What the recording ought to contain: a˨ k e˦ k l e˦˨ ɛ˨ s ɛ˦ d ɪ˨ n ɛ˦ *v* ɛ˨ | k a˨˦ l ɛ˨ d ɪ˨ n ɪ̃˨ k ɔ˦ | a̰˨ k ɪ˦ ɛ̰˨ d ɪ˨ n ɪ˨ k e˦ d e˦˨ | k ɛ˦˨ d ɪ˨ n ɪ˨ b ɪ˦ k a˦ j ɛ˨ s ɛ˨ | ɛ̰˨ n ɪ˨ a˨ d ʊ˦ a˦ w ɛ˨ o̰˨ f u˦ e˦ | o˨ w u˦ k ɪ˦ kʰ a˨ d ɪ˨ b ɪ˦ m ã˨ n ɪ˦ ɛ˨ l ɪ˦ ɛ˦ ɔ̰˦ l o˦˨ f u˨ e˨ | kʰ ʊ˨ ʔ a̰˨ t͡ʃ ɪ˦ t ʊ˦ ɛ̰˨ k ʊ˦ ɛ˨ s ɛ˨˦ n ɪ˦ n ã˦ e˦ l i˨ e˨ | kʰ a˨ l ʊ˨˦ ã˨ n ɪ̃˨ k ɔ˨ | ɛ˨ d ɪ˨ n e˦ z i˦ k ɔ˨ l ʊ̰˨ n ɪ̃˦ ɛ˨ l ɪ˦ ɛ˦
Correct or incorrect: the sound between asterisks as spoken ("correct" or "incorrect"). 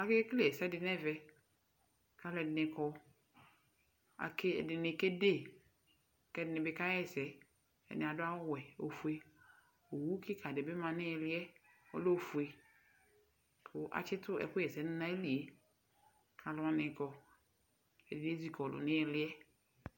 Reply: correct